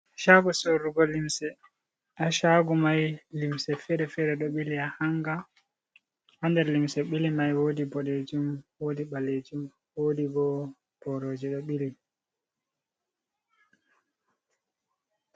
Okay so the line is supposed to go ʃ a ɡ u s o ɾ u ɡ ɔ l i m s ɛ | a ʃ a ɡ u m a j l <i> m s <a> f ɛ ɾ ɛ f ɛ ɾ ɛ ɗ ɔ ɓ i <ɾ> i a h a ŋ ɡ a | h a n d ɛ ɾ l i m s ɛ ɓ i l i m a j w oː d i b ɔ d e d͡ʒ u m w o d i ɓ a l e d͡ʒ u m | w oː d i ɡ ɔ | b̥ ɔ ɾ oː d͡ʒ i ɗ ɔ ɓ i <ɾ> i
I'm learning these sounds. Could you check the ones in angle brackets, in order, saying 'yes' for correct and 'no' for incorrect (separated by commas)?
yes, no, no, no